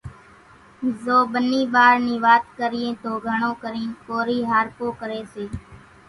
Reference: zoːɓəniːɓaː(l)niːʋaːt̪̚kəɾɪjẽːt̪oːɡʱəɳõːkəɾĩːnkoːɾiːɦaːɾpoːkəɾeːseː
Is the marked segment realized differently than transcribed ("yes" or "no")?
yes